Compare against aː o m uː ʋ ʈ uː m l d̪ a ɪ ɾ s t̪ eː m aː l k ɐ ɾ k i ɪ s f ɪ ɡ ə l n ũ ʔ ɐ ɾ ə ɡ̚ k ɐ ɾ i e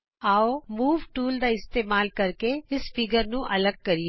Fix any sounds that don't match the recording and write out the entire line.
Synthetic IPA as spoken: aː o m uː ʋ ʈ uː l d̪ a ɪ s t̪ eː m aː l k ɐ ɾ k e ɪ s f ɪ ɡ ə ɾ n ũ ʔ ɐ l ə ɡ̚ k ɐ ɾ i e